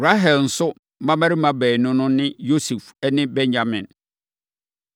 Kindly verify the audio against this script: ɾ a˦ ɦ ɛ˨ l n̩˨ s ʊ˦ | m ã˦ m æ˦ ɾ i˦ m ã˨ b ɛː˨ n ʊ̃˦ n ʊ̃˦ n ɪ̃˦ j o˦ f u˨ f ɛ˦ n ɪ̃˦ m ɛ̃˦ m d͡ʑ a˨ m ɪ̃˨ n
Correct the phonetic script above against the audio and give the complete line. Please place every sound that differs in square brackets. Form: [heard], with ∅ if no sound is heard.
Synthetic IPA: ɾ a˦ ɦ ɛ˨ l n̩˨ s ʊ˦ | m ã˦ m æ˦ ɾ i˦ m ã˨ b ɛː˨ n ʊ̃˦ n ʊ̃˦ n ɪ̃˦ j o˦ [s] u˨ f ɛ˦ n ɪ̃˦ [b] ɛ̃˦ [ɲ] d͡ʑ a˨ m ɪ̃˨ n